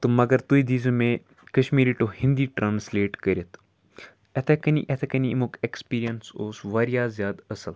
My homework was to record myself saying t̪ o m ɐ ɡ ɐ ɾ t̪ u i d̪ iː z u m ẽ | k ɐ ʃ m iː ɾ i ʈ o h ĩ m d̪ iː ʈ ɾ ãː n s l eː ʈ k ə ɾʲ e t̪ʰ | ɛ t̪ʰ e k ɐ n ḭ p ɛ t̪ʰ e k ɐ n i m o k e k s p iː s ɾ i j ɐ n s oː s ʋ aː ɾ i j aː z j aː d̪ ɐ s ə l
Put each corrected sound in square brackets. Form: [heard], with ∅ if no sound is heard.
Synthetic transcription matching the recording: t̪ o m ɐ ɡ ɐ ɾ t̪ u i d̪ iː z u m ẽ | k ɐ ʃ m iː ɾ i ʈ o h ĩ [n] d̪ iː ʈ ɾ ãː n s l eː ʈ k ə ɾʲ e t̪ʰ | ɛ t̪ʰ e k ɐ n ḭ [ʔ] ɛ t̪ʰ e k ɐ n i m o k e k s p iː [∅] ɾ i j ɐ n s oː s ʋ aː ɾ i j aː z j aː d̪ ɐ s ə l

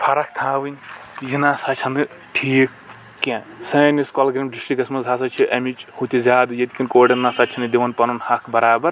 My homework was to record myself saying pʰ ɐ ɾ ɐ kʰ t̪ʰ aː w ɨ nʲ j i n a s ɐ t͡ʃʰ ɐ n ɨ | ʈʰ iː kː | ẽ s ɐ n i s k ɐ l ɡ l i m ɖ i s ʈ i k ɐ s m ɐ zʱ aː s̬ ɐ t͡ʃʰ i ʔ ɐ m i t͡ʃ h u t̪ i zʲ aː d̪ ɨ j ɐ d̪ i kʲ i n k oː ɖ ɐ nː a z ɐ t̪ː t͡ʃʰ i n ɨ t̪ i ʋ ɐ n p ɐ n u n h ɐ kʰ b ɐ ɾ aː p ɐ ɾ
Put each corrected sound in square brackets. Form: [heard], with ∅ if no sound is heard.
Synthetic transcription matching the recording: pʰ ɐ ɾ ɐ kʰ t̪ʰ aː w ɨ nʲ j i n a s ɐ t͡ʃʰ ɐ n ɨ | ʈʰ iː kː | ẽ s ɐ n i s k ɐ l ɡ [ɾ] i m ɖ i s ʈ i k ɐ s m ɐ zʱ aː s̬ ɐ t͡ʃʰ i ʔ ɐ m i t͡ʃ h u t̪ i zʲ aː d̪ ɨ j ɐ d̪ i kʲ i n k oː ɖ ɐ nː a [s] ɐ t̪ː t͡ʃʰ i n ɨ [d̪] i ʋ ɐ n p ɐ n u n h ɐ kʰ b ɐ ɾ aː [b] ɐ ɾ

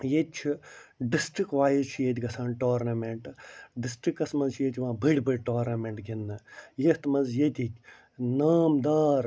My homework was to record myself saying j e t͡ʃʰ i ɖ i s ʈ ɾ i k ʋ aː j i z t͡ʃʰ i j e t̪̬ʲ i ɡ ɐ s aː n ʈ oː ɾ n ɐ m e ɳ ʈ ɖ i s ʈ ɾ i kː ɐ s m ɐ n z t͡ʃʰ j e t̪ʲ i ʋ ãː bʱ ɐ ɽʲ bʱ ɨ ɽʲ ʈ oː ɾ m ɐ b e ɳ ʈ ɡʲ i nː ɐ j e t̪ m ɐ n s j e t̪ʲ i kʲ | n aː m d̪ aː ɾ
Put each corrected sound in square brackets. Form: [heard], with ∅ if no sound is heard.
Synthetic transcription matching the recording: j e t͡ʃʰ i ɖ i s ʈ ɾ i k ʋ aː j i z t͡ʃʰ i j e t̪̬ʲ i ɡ ɐ s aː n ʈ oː ɾ n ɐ m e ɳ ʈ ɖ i s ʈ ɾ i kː ɐ s m ɐ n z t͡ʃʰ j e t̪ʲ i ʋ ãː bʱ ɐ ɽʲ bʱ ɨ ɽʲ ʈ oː ɾ [n] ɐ [m] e ɳ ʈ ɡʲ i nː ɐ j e t̪ m ɐ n [z] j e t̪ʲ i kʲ | n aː m d̪ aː ɾ

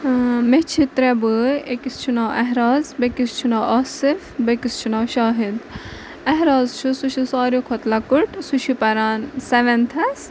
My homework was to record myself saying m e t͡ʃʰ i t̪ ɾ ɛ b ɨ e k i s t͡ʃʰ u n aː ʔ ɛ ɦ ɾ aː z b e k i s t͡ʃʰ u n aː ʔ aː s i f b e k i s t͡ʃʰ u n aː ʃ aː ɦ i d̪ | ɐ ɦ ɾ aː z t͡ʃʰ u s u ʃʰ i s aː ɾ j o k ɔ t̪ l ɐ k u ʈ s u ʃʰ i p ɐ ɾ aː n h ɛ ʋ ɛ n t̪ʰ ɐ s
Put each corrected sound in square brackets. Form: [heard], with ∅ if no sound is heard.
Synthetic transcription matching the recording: m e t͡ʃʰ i t̪ ɾ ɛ b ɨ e k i s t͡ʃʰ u n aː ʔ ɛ ɦ ɾ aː z b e k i s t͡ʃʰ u n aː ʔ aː s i f b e k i s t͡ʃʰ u n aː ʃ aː ɦ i d̪ | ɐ ɦ ɾ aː z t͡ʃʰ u s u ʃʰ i s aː ɾ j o [kʰ] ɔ t̪ l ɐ k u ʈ s u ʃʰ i p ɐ ɾ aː n [s] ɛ ʋ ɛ n t̪ʰ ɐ s

